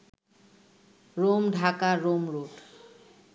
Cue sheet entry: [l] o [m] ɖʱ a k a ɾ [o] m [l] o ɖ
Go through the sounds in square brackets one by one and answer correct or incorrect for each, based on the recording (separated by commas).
incorrect, correct, correct, incorrect